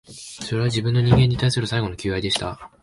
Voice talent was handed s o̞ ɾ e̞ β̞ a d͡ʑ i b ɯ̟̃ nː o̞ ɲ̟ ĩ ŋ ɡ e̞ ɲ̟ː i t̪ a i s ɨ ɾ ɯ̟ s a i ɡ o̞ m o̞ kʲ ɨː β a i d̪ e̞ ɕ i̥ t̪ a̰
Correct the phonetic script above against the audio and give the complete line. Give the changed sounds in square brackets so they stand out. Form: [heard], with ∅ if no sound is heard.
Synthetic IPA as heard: s o̞ ɾ e̞ β̞ a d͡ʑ i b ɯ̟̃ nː o̞ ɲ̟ ĩ ŋ ɡ e̞ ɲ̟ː i t̪ a i s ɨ ɾ ɯ̟ s a i ɡ o̞ [n] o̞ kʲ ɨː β a i d̪ e̞ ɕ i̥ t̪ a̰